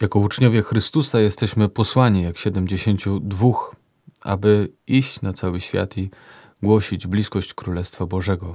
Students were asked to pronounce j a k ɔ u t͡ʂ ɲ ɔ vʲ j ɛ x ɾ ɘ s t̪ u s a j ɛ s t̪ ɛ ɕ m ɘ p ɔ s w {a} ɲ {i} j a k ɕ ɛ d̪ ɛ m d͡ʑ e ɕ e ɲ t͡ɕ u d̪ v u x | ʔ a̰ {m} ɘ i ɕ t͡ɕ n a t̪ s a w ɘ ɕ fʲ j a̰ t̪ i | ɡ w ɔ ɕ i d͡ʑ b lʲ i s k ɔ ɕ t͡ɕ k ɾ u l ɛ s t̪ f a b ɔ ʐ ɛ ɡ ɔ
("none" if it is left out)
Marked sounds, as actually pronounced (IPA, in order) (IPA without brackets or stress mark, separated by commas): a, i, b